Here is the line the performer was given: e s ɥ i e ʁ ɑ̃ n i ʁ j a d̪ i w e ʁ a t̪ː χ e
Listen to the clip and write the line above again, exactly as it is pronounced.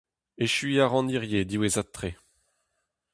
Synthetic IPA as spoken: e ʃ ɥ i a ʁ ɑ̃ n i ʁ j e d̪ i w e z a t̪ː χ e

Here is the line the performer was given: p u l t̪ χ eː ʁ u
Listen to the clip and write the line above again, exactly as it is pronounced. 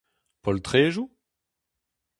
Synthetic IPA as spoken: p ɔ l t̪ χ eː ʒ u

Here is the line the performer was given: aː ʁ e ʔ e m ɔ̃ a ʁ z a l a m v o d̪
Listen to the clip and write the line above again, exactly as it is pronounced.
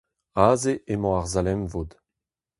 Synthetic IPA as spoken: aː z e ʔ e m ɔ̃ a ʁ z a l ɛ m v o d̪

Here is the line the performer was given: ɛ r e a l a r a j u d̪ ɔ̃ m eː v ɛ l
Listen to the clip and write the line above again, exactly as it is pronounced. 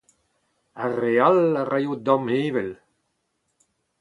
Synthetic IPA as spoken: a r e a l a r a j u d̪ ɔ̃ m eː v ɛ l

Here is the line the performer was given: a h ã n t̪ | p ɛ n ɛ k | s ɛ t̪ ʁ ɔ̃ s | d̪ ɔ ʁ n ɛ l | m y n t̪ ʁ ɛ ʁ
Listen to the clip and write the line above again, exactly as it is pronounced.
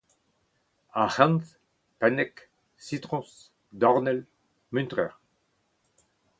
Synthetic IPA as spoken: a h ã n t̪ | p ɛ n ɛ k | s i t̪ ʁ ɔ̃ s | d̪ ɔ ʁ n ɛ l | m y n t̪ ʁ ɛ ʁ

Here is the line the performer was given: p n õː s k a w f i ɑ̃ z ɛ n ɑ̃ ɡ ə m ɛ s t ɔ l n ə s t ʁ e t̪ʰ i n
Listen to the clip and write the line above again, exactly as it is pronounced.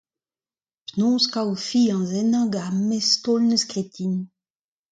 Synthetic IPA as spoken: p n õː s k a w f i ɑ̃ z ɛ n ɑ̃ ɡ a m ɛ s t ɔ l n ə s k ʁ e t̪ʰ i n

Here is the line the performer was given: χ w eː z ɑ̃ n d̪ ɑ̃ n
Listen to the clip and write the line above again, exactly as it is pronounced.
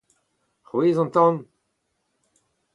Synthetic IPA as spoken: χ w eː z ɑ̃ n t̪ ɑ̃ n

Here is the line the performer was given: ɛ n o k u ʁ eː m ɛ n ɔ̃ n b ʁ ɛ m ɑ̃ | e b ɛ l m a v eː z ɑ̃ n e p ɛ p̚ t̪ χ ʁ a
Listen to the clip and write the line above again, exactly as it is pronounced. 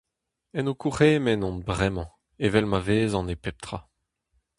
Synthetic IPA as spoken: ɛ n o k u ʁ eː m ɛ n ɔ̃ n b ʁ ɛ m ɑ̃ | e v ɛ l m a v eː z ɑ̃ n e p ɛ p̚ t̪ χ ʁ a

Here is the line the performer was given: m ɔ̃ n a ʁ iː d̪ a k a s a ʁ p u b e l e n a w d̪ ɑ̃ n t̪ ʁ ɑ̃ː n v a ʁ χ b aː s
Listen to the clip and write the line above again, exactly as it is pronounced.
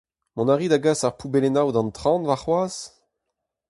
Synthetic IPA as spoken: m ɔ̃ n a ʁ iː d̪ a ɡ a s a ʁ p u b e l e n a w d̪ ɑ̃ n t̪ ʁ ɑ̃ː n v a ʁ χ w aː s

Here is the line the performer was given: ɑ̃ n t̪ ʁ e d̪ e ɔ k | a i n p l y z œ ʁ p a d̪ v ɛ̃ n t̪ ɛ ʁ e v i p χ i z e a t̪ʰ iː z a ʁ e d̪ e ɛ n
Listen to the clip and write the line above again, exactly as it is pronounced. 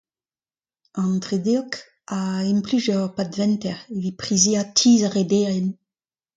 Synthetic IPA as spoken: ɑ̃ n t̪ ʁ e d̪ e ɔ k | a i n p l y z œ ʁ p a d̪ v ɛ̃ n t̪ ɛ ʁ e v i p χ i z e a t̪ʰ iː z a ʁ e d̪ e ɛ n

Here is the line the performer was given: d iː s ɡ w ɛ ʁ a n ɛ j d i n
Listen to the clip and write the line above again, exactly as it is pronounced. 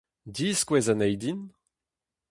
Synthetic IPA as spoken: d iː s k w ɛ z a n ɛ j d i n

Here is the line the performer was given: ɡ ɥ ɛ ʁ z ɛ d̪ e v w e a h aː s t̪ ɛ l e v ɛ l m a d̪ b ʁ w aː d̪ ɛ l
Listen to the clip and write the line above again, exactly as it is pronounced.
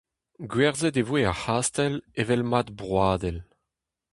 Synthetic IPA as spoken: ɡ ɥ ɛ ʁ z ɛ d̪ e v w e a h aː s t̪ ɛ l e v ɛ l m a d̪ b ʁ w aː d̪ ɛ l

